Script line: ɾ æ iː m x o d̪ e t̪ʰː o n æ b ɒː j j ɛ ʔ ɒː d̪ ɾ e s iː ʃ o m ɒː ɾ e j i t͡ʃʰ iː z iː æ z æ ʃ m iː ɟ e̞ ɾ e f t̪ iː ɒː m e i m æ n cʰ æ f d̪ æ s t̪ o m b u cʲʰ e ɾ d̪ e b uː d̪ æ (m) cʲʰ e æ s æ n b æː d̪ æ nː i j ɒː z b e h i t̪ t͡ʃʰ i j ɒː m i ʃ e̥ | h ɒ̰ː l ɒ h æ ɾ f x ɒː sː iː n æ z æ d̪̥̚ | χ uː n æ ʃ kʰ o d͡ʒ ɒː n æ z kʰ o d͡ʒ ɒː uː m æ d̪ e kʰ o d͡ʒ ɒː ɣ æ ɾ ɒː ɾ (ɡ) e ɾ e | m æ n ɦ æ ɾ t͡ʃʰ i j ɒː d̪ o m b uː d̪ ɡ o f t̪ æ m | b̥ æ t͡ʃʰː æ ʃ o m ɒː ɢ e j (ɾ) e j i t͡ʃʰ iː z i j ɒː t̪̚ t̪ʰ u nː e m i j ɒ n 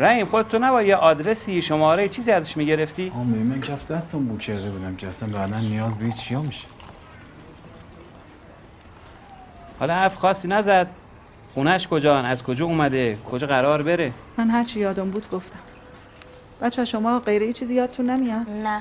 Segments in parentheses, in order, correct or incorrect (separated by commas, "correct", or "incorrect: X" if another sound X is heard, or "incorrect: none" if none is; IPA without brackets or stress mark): correct, incorrect: b, correct